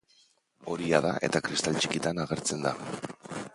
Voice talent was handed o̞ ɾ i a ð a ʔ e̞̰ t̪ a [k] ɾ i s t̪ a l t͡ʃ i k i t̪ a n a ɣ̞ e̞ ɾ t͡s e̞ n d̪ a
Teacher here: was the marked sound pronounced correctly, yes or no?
yes